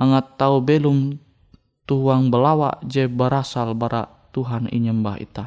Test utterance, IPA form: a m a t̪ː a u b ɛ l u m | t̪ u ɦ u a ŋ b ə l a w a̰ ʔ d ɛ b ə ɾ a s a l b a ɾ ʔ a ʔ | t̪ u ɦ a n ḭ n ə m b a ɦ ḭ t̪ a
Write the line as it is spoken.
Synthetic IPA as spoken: a ŋ a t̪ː a u b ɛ l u m | t̪ u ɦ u a ŋ b ə l a w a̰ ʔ d͡ʒ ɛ b ə ɾ a s a l b a ɾ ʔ a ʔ | t̪ u ɦ a n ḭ ɲ ə m b a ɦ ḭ t̪ a